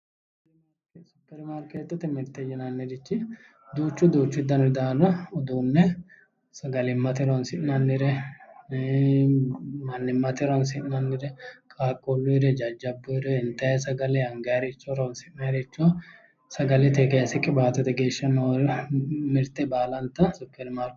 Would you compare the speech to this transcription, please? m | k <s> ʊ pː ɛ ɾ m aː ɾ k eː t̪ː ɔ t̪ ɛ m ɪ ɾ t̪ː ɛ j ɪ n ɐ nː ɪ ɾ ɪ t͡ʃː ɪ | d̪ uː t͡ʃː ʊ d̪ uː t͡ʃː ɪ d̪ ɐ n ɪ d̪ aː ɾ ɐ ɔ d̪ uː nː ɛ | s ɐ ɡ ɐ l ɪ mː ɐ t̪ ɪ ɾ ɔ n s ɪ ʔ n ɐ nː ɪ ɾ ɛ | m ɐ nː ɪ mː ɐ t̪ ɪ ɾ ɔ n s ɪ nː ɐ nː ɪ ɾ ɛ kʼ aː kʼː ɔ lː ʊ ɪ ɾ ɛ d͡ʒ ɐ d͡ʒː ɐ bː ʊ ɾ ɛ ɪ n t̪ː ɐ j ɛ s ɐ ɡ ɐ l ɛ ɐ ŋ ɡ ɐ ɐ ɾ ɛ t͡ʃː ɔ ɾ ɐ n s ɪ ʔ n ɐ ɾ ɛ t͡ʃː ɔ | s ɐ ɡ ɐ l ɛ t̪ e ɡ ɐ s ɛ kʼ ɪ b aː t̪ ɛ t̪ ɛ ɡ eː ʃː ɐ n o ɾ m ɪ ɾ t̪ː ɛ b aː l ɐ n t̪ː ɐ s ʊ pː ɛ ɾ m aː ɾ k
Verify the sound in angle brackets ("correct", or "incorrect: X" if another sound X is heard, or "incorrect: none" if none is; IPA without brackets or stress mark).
correct